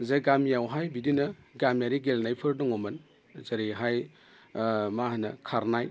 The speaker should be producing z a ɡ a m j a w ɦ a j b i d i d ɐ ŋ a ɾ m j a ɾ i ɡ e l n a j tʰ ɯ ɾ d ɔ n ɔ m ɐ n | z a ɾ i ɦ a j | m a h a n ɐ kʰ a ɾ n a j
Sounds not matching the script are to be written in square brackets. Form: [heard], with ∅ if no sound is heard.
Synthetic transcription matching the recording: z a ɡ a m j a w ɦ a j b i d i [n] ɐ [ɡ] a [∅] m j a ɾ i ɡ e l n a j [pʰ] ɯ ɾ d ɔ [ŋ] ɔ m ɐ n | z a ɾ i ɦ a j | m a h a n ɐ kʰ a ɾ n a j